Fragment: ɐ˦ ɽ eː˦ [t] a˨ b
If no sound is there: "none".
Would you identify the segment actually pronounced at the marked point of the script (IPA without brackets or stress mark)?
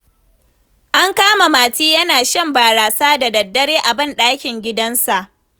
ʔ